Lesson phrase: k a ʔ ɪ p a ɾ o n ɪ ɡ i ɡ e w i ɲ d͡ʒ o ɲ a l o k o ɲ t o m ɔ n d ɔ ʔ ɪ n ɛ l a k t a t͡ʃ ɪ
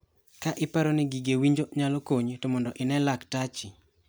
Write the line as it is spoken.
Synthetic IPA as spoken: k a ʔ ɪ p a ɾ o n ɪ ɡ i ɡ e w i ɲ d͡ʒ o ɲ a l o k o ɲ t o m ɔ n d ɔ ʔ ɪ n ɛ l a k t a t͡ʃ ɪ